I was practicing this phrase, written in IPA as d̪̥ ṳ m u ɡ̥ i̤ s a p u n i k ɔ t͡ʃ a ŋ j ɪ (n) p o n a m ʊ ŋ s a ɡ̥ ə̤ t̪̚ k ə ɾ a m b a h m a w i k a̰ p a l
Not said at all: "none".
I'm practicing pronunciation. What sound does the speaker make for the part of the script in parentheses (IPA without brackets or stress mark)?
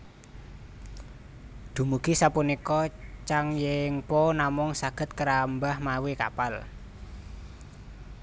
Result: ŋ